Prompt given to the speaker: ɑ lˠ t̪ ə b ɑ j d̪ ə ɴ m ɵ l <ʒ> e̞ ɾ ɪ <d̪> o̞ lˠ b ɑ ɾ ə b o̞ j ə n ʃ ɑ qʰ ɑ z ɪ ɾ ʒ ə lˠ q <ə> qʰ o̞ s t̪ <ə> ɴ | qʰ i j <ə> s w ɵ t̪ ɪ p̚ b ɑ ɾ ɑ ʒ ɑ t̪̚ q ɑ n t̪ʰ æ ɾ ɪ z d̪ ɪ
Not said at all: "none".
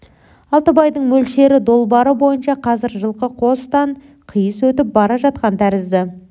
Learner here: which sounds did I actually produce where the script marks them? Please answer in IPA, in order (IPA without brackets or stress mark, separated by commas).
ʃ, d̪, ə, ɑ, ə